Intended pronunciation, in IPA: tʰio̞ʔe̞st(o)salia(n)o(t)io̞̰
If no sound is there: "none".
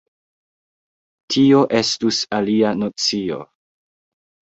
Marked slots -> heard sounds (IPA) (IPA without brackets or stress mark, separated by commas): u, n, t͡s